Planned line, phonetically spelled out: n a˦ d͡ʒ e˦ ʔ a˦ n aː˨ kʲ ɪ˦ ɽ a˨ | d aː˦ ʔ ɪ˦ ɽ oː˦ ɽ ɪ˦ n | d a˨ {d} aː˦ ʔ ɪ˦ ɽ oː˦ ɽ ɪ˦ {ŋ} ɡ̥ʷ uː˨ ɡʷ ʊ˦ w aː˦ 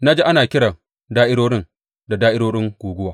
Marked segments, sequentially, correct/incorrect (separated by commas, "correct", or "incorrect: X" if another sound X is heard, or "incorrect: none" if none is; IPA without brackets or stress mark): correct, correct